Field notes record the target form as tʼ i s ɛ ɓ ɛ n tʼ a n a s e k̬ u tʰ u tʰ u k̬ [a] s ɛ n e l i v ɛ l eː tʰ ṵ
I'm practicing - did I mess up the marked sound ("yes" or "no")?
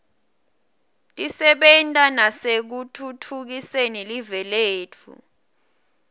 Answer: yes